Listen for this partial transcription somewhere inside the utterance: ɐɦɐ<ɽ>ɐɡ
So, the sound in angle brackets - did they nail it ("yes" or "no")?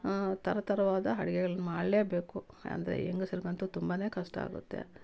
yes